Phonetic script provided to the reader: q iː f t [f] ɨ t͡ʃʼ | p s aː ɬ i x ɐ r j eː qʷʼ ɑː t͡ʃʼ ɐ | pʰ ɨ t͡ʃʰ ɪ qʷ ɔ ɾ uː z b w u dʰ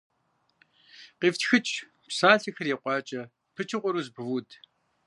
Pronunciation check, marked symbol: incorrect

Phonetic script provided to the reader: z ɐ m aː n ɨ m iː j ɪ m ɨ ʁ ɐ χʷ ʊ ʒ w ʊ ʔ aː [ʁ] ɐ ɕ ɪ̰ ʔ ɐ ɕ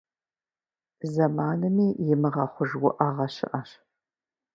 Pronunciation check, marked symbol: correct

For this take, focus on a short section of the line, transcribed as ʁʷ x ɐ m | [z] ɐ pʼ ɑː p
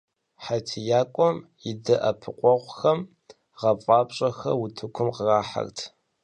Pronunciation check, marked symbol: incorrect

